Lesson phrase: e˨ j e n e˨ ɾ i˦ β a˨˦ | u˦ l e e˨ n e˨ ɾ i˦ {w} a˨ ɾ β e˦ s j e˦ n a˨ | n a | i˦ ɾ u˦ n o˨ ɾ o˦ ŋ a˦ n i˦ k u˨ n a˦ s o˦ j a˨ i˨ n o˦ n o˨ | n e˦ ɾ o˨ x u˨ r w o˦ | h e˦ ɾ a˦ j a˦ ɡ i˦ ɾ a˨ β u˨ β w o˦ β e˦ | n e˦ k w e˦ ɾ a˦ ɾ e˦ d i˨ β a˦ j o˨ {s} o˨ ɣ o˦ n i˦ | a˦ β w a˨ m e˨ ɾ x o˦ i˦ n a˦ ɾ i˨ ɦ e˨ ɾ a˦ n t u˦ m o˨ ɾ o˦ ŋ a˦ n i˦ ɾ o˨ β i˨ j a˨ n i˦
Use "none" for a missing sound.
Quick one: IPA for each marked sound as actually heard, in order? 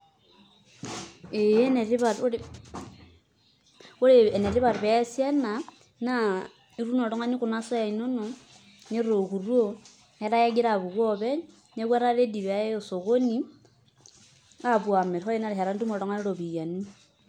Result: β, s

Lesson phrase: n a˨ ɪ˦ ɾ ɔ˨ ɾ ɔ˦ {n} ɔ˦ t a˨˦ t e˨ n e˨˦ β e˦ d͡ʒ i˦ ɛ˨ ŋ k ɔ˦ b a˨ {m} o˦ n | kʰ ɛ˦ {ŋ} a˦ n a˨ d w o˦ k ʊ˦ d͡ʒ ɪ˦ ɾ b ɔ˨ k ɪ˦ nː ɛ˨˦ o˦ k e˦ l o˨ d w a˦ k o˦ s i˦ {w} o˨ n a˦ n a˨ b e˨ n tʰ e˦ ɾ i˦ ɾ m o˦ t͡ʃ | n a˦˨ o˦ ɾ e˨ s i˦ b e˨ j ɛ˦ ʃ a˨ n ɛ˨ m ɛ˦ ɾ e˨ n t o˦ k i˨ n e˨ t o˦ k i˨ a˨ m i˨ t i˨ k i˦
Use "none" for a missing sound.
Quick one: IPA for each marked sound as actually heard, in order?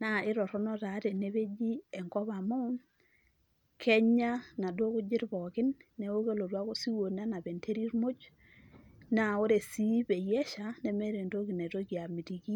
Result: n, m, ɲ, w

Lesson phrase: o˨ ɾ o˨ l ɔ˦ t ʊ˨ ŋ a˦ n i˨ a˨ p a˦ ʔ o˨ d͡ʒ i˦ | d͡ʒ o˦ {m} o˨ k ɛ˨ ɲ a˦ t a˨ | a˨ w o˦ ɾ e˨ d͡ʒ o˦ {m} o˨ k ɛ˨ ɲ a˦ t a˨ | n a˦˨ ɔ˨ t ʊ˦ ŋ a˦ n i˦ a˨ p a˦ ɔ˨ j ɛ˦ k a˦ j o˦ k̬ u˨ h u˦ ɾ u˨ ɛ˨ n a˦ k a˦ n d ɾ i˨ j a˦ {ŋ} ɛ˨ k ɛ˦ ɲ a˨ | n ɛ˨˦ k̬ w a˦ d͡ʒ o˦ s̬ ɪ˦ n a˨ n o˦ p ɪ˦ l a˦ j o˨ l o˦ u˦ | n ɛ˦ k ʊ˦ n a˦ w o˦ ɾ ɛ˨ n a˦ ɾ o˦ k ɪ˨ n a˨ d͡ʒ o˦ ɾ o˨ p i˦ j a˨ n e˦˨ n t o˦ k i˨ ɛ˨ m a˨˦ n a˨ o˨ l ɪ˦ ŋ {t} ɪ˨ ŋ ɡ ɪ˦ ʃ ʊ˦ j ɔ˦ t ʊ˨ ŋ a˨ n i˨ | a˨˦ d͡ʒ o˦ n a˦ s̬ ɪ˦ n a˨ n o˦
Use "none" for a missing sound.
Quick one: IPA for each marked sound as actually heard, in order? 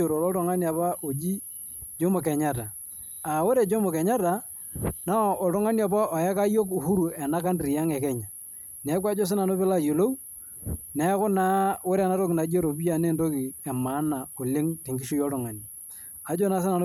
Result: m, m, ŋ, t

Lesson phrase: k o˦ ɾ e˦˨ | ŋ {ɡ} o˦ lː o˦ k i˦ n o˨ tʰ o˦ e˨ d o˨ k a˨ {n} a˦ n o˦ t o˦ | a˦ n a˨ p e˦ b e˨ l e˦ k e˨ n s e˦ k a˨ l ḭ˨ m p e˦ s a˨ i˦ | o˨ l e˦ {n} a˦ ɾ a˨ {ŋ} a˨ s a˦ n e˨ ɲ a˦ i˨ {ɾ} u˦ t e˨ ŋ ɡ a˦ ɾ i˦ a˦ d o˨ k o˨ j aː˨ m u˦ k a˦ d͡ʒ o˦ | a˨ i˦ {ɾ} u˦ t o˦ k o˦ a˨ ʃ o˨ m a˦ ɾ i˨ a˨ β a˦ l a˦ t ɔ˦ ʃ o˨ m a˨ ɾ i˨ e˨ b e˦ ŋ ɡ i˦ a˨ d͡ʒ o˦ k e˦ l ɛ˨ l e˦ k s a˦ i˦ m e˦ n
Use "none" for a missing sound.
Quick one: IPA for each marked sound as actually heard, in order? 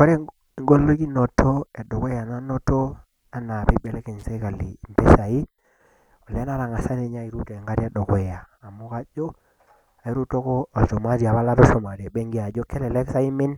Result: ɡ, n, n, ŋ, ɾ, ɾ

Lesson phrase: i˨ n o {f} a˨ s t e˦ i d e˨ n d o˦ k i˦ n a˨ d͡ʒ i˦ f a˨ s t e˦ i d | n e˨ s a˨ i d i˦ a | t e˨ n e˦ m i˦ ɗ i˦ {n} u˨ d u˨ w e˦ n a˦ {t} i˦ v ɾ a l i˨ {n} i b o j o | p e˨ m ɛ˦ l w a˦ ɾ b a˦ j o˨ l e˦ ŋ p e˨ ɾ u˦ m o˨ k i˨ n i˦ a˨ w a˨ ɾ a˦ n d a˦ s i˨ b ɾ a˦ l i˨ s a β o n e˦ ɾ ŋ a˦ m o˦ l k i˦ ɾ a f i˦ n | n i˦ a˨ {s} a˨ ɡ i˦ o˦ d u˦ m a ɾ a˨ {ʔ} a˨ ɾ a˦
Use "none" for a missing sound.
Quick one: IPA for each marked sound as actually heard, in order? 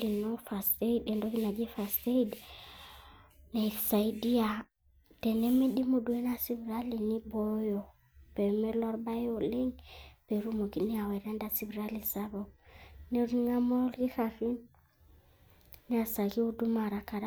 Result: f, m, s, n, s, k

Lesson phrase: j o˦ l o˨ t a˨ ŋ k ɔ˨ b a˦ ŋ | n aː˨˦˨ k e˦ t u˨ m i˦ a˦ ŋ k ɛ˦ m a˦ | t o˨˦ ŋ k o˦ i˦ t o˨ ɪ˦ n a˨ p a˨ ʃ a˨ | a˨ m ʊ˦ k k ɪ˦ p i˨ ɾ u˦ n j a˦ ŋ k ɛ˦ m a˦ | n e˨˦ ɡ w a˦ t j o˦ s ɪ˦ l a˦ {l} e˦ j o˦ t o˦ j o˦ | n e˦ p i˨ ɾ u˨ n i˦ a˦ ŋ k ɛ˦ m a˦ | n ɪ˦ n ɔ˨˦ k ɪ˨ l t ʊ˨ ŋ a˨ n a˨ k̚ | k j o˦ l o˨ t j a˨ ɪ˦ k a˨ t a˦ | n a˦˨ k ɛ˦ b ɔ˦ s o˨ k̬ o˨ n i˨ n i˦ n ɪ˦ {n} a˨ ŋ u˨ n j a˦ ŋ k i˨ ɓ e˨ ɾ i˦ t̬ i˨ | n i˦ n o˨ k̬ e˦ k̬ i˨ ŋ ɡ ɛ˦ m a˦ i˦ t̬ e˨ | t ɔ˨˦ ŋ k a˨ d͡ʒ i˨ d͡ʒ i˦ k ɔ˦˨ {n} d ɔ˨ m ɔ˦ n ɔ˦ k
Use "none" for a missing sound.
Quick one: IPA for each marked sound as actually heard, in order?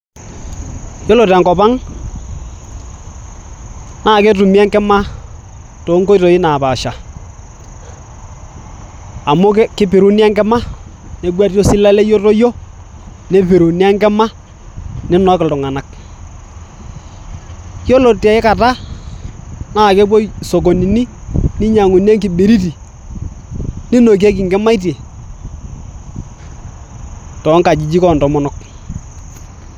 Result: l, ɲ, n

